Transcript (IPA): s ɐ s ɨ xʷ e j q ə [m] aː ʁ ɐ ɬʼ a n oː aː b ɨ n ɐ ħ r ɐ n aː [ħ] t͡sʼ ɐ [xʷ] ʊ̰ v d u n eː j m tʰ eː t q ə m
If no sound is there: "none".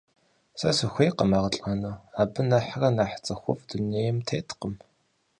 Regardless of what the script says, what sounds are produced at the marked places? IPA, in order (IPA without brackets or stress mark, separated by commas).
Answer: m, ħ, xʷ